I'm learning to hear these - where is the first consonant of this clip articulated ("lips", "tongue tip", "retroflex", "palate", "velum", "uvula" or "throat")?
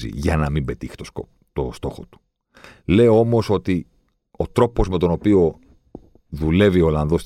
palate